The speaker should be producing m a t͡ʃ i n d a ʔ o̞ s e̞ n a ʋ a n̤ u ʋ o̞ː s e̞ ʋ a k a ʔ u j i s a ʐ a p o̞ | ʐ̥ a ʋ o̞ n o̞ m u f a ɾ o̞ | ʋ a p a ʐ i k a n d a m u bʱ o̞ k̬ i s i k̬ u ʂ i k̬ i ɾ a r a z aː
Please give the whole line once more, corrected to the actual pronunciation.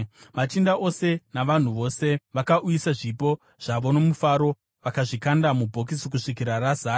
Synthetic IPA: m a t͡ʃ i n d a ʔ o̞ s e̞ n a ʋ a n̤ u ʋ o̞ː s e̞ ʋ a k a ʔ u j i s a ʐ i p o̞ | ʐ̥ a ʋ o̞ n o̞ m u f a ɾ o̞ | ʋ a k a ʐ i k a n d a m u bʱ o̞ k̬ i s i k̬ u ʂ i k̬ i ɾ a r a z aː

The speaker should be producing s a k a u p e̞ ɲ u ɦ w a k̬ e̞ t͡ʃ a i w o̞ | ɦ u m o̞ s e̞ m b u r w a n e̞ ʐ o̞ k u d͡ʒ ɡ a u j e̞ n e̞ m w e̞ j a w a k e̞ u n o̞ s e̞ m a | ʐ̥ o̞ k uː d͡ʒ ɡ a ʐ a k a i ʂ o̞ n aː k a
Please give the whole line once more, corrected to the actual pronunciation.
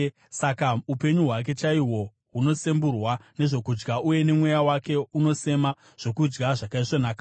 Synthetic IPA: s a k a u p e̞ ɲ u ɦ w a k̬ e̞ t͡ʃ a i w o̞ | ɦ u n o̞ s e̞ m b u r w a n e̞ ʐ o̞ k u d͡ʒ ɡ a u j e̞ n e̞ m w e̞ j a w a k e̞ u n o̞ s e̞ m a | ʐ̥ o̞ k u d͡ʒ ɡ a ʐ a k a i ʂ o̞ n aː k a

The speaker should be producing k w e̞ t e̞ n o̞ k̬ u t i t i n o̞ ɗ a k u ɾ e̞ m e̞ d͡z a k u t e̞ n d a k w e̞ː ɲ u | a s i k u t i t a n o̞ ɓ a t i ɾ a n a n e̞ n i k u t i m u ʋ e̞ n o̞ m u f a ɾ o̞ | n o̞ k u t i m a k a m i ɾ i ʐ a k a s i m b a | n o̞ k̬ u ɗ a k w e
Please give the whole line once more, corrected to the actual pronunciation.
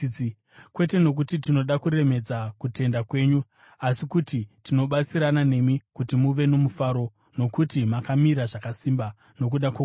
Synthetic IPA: k w e̞ t e̞ n o̞ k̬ u t i t i n o̞ ɗ a k u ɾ e̞ m e̞ d͡z a k u t e̞ n d a k w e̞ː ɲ u | a s i k u t i t i n o̞ ɓ a t͡s i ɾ a n a n e̞ m i k u t i m u ʋ e̞ n o̞ m u f a ɾ o̞ | n o̞ k u t i m a k a m i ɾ a ʐ a k a s i m b a | n o̞ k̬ u ɗ a k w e

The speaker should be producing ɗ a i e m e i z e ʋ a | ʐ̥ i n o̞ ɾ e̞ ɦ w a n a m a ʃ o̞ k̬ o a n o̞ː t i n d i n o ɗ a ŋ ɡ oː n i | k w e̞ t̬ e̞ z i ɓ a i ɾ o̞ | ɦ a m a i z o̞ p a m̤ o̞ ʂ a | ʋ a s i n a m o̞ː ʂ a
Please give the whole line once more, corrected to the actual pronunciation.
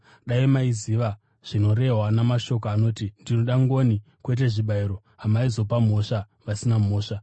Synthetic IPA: ɗ a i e m a i z i ʋ a | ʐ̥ i n o̞ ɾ e̞ ɦ w a n a m a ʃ o̞ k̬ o a n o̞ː t i n d i n o ɗ a ŋ ɡ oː n i | k w e̞ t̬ e̞ ʐ i ɓ a i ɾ o̞ | ɦ a m a i z o̞ p a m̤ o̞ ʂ a | ʋ a s i n a m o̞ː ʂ a

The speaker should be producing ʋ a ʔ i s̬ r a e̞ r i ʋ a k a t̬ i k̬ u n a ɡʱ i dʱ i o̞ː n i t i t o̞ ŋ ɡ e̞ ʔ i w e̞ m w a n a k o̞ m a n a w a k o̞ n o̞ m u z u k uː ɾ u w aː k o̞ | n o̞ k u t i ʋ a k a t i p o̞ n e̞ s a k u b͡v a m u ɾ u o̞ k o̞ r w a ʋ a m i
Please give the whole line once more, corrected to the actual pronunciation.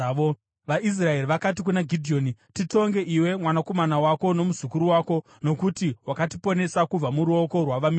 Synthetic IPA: ʋ a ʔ i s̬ r a e̞ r i ʋ a k a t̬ i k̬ u n a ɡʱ i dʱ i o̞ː n i t i t o̞ ŋ ɡ e̞ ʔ i w e̞ m w a n a k o̞ m a n a w a k o̞ n o̞ m u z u k u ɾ u w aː k o̞ | n o̞ k u t i w a k a t i p o̞ n e̞ s a k u b͡v a m u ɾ u o̞ k o̞ r w a ʋ a m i

